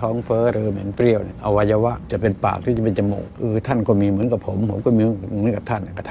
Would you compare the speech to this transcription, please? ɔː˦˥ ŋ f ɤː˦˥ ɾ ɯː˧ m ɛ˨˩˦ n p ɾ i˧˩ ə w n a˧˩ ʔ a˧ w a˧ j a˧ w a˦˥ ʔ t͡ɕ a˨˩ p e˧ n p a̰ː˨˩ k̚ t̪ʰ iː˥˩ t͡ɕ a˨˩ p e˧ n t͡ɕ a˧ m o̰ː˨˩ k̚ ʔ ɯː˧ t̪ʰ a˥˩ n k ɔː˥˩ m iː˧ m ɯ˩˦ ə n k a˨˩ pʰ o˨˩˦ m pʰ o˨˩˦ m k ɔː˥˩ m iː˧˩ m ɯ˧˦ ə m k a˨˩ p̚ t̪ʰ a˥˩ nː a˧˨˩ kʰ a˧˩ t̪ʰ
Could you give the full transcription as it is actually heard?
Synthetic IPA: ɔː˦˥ ŋ f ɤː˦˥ ɾ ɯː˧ m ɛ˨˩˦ n p ɾ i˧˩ ə w n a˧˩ ʔ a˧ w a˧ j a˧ w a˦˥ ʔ t͡ɕ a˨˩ p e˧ n p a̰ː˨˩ k̚ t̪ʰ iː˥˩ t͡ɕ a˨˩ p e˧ n t͡ɕ a˧ m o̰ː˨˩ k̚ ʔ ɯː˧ t̪ʰ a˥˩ n k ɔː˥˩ m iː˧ m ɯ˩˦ ə n k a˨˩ pʰ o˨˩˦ m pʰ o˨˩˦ m k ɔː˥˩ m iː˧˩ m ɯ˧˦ ə n k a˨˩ p̚ t̪ʰ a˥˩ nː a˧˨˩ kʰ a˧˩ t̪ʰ

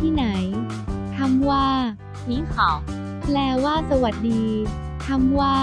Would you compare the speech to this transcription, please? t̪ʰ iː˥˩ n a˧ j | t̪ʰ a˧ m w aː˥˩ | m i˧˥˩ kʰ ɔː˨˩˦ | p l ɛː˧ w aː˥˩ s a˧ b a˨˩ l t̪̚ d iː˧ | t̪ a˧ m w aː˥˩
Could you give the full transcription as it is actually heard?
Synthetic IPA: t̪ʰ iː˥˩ n a˩˦ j | t̪ʰ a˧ m w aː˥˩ | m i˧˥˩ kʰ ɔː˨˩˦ | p l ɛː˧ w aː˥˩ s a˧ w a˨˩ t̪̚ d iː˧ | t̪ʰ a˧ m w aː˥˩

